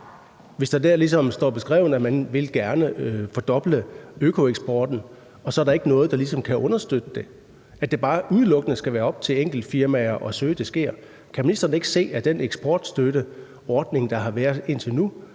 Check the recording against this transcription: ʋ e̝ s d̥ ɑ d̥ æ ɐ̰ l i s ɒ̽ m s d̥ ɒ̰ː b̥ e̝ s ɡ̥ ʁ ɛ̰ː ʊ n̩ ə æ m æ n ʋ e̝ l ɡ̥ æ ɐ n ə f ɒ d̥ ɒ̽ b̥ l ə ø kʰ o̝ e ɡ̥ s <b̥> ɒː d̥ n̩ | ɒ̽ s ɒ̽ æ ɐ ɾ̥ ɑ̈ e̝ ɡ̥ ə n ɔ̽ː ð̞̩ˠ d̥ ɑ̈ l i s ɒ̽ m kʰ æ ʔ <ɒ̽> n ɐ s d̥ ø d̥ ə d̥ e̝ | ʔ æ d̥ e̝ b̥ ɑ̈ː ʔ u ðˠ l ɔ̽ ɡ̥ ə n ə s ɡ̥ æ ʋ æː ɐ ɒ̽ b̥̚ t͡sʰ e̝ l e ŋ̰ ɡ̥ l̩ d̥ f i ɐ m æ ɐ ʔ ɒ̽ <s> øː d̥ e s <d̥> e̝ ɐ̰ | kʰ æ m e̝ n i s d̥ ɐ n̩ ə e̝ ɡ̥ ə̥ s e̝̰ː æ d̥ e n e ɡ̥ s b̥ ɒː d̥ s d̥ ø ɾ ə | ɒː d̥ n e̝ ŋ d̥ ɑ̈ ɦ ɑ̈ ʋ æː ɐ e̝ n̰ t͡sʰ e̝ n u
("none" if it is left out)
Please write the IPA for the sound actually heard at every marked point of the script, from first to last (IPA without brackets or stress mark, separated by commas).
b̥, ɔ̽, s, ɡ̥